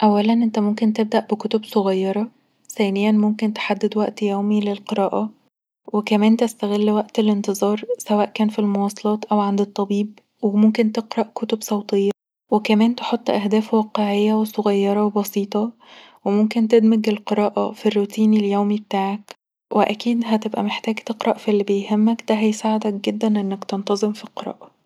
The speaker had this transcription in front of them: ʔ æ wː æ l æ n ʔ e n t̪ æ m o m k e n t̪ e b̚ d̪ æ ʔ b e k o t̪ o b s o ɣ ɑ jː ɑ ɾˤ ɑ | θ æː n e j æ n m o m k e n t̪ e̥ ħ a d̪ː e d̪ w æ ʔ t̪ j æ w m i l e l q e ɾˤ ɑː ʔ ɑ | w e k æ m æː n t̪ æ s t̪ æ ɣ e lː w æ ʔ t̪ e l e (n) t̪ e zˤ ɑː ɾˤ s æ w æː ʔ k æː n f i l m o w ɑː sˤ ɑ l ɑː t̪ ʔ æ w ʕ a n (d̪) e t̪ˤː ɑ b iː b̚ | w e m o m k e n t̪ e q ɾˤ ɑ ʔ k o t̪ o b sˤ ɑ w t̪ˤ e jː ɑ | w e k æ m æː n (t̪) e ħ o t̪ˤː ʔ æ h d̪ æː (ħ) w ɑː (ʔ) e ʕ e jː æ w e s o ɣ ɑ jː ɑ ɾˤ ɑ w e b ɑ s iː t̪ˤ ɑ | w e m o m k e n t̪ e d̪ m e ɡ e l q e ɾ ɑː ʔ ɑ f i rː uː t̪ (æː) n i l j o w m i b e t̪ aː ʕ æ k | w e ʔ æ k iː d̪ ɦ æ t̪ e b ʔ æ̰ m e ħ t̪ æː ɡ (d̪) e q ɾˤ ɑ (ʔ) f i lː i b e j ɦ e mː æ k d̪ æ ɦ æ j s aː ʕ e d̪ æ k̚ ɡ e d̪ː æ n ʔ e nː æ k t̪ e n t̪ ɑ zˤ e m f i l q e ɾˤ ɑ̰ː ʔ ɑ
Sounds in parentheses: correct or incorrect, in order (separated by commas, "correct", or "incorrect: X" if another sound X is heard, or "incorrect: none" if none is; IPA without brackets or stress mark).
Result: correct, correct, correct, incorrect: f, incorrect: q, incorrect: iː, incorrect: t̪, correct